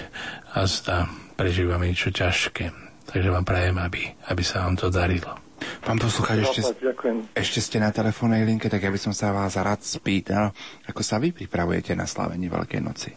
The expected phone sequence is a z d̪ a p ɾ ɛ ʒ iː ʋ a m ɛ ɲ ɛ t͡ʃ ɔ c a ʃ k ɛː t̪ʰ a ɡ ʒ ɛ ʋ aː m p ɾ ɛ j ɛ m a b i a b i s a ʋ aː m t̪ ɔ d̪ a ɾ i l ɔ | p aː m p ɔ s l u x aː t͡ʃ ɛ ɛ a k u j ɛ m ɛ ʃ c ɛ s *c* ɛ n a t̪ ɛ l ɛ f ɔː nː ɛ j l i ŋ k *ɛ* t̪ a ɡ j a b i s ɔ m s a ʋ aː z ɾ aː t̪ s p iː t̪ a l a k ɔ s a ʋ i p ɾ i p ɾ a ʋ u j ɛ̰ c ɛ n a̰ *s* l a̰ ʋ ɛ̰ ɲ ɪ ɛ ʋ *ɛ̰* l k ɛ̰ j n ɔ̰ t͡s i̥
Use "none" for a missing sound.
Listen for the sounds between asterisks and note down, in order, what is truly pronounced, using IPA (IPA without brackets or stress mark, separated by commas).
c, ɛ, s, ɛ̰